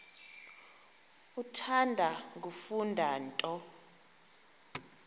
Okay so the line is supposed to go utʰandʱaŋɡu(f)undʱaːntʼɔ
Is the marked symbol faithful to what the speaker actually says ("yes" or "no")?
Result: yes